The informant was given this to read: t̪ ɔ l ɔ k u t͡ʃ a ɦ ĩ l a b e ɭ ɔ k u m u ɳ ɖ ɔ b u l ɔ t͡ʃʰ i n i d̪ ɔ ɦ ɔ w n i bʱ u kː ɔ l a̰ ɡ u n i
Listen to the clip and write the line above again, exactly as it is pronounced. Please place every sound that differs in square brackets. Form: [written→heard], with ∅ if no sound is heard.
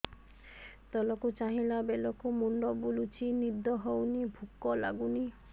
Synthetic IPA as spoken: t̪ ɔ l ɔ k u t͡ʃ a ɦ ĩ l a b e [ɭ→l] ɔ k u m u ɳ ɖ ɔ b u l [ɔ→u] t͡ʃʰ i n i d̪ ɔ ɦ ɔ w n i bʱ u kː ɔ l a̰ ɡ u n i